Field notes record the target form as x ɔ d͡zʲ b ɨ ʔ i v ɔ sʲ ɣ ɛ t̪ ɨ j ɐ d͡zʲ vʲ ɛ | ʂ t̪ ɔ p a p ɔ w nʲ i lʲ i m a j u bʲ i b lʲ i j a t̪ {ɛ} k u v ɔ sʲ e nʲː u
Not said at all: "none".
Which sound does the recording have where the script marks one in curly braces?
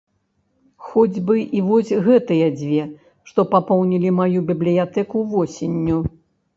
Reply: ɛ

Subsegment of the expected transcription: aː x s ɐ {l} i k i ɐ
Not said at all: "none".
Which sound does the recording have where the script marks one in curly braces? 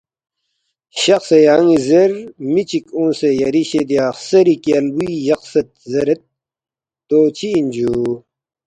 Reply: ɾ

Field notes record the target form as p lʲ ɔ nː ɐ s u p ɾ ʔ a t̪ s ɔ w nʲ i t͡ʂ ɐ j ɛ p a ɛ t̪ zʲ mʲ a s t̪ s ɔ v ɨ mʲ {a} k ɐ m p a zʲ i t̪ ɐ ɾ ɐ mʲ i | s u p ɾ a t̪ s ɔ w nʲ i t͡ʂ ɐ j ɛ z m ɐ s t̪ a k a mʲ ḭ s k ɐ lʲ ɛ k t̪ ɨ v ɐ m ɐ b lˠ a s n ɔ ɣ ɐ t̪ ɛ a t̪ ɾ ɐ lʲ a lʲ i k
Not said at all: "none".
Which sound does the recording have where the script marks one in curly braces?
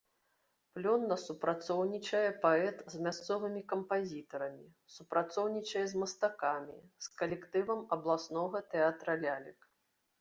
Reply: i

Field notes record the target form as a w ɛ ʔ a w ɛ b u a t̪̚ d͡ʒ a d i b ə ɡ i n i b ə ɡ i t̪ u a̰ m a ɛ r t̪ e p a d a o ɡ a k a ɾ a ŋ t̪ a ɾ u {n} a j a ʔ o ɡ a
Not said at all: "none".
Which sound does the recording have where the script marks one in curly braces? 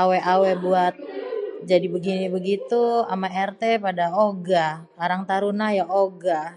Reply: n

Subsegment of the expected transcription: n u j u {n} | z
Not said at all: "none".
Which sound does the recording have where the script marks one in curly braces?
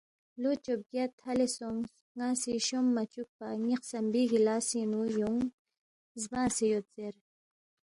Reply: ŋ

